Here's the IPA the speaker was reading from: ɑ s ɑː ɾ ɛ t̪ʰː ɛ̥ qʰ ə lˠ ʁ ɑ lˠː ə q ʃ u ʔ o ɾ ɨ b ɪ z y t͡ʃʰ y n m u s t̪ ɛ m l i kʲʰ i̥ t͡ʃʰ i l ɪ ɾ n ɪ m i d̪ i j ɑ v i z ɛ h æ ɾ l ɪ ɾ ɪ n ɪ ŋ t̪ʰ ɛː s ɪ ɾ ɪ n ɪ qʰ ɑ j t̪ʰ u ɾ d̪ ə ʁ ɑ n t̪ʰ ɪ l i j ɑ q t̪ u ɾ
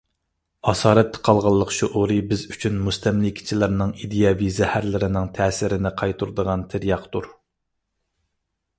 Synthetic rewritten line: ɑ s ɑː ɾ ɛ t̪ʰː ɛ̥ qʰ ɑ lˠ ʁ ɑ lˠː ə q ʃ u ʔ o ɾ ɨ b ɪ z y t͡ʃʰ y n m u s t̪ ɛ m l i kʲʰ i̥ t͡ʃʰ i l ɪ ɾ n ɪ ŋ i d̪ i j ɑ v i z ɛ h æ ɾ l ɪ ɾ ɪ n ɪ ŋ t̪ʰ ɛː s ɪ ɾ ɪ n ɪ qʰ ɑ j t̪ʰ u ɾ d̪ ə ʁ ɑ n t̪ʰ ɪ ɾ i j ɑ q t̪ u ɾ